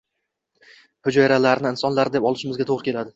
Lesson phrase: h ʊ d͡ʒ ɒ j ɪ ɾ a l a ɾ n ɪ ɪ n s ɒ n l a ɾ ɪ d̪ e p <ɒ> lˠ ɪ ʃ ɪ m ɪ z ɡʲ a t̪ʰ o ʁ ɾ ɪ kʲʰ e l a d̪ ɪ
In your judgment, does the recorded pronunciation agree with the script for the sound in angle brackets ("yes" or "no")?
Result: yes